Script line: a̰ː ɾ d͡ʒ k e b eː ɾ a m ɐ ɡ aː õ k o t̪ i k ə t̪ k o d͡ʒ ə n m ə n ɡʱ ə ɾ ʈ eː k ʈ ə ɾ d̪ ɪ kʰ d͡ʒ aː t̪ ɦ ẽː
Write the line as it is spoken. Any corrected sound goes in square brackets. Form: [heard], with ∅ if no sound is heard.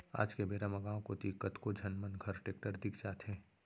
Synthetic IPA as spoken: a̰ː [∅] d͡ʒ k e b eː ɾ a m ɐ ɡ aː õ k o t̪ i k ə t̪ k o d͡ʒ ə n m ə n ɡʱ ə ɾ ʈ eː k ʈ ə ɾ d̪ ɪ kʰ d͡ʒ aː t̪ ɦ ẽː